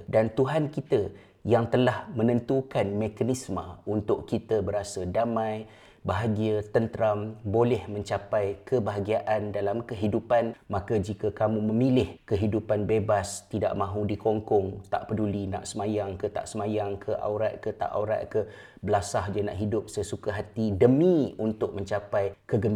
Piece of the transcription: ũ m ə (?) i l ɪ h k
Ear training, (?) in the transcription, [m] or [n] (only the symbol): m